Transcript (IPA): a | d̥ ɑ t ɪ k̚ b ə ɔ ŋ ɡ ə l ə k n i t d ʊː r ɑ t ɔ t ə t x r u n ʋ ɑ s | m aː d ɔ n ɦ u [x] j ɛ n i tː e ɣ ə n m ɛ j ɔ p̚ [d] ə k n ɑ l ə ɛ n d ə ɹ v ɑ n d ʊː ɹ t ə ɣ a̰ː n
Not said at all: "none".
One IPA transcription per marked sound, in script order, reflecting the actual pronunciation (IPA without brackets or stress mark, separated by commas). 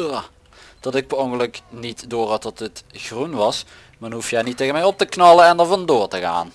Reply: f, t